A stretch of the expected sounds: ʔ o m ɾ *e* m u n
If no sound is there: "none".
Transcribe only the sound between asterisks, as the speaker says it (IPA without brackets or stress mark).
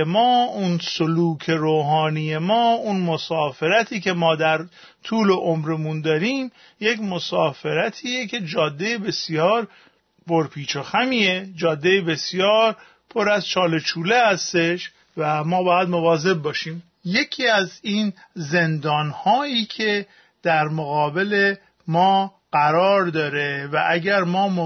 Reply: e